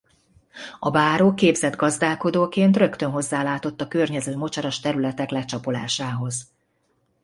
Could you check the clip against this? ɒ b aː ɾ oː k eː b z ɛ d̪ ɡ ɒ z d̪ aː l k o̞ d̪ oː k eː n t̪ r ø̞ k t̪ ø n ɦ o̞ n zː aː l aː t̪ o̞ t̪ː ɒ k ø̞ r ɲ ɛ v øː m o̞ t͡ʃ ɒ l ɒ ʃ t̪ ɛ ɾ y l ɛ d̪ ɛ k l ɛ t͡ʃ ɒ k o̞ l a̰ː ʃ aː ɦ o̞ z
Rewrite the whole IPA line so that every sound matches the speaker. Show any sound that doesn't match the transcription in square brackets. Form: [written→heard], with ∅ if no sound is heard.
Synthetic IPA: ɒ b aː ɾ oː k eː b z ɛ d̪ ɡ ɒ z d̪ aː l k o̞ d̪ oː k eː n t̪ r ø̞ k t̪ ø n ɦ o̞ [n→∅] zː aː l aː t̪ o̞ t̪ː ɒ k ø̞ r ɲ ɛ [v→z] øː m o̞ t͡ʃ ɒ [l→ɾ] ɒ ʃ t̪ ɛ ɾ y l ɛ [d̪→t̪] ɛ k l ɛ t͡ʃ ɒ [k→p] o̞ l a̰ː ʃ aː ɦ o̞ z